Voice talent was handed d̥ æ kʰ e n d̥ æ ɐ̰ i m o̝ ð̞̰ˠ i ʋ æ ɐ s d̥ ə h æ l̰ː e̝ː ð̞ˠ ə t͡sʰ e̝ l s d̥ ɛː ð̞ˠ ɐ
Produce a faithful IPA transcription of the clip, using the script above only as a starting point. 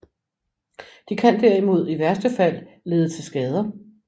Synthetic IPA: d̥ i kʰ æ n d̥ æ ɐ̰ i m o̝ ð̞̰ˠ i ʋ æ ɐ s d̥ ə f æ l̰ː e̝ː ð̞ˠ ə t͡sʰ e̝ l s ɡ̥ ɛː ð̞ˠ ɐ